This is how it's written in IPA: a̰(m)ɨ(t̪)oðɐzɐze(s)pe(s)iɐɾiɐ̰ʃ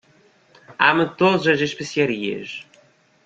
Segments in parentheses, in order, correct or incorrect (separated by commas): correct, correct, incorrect, correct